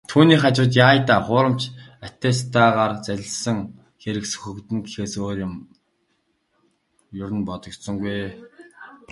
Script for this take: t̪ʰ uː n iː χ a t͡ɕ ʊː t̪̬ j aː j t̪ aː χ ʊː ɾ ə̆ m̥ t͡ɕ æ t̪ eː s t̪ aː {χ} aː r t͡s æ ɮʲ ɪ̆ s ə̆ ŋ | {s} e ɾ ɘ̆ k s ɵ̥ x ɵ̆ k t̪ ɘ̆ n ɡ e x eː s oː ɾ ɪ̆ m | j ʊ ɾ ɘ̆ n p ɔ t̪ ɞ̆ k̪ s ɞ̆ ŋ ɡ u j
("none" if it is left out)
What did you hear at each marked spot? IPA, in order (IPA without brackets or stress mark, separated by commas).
ʁ, x